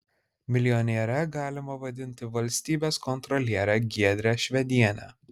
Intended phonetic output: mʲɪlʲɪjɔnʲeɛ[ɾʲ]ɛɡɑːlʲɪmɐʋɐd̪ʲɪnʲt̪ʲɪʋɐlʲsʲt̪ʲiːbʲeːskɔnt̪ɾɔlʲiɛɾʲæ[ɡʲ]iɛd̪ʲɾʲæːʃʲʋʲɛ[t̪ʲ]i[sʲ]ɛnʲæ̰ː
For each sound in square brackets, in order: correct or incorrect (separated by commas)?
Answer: correct, correct, incorrect, incorrect